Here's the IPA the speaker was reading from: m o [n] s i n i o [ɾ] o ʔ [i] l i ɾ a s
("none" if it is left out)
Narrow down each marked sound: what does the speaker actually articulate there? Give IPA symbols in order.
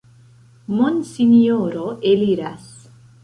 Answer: n, ɾ, e

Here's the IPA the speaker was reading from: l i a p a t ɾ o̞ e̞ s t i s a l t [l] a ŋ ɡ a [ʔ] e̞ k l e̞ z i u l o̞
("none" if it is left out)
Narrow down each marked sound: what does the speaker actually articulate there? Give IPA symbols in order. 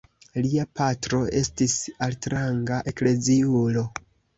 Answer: ɾ, ʔ

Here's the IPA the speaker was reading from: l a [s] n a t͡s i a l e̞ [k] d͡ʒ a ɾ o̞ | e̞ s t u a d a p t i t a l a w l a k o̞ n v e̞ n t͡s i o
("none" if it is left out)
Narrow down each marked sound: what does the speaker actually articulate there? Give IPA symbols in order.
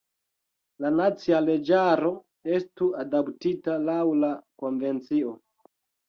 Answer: none, none

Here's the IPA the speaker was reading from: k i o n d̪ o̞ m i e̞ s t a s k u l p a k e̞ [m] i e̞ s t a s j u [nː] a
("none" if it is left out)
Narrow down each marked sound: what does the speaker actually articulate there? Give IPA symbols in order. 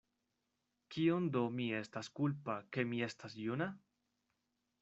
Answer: m, n

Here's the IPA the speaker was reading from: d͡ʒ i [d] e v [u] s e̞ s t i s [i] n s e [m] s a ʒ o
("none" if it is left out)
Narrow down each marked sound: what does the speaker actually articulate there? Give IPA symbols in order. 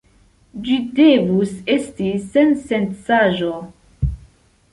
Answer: d, u, e, n

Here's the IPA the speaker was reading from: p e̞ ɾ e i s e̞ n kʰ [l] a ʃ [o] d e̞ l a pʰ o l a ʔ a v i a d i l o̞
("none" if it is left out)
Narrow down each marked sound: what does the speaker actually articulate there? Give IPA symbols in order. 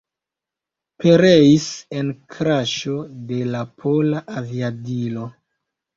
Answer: ɾ, o

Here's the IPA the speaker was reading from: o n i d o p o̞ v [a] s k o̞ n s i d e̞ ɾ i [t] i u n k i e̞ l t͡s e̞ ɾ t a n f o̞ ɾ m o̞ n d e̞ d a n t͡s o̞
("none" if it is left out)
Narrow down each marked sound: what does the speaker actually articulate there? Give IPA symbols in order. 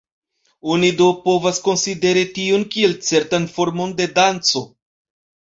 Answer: a, t

